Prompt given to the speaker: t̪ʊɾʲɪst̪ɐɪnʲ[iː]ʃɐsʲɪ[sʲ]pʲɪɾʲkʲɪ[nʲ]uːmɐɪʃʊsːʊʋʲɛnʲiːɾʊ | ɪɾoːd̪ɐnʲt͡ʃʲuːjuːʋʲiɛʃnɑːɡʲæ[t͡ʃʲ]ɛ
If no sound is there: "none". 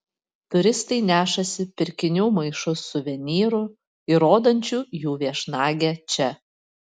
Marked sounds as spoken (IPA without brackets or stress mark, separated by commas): æː, none, nʲ, t͡ʃʲ